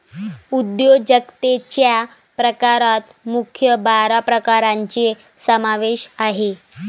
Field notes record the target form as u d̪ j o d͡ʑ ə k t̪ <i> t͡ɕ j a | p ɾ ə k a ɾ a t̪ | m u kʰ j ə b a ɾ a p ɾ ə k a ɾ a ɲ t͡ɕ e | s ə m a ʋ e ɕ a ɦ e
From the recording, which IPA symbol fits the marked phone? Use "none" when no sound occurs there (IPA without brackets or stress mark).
e